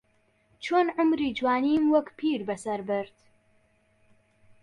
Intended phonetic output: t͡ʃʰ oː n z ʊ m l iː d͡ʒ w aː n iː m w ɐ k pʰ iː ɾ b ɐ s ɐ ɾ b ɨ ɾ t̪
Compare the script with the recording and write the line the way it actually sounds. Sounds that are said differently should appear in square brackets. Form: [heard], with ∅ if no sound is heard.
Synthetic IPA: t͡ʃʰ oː n [ʕ] ʊ m [ɾ] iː d͡ʒ w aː n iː m w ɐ k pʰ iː ɾ b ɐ s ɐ ɾ b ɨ ɾ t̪